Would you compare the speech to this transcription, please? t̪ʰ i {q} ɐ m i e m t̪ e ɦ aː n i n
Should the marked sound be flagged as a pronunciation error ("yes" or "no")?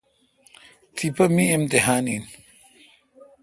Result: yes